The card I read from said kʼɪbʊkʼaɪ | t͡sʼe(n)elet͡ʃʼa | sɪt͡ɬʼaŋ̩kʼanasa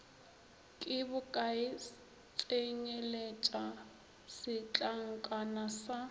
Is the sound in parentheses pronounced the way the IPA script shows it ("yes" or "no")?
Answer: no